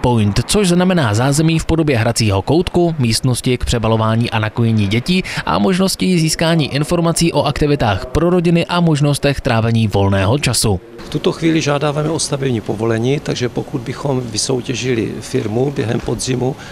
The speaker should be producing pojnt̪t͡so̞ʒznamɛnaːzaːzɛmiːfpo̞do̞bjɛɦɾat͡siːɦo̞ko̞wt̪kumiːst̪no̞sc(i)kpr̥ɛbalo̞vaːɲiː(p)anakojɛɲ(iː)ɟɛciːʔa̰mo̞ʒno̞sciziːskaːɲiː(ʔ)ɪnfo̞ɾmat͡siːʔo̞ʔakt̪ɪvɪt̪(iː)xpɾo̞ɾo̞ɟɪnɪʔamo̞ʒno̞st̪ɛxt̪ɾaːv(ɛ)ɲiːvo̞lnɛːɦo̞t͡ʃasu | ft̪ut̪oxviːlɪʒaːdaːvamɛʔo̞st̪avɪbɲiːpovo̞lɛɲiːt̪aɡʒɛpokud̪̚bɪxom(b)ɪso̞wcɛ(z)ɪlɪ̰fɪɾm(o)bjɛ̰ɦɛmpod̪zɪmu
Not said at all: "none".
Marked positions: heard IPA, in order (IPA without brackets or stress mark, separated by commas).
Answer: ɪ, ʔ, iː, ʔ, aː, ɛ, v, ʒ, u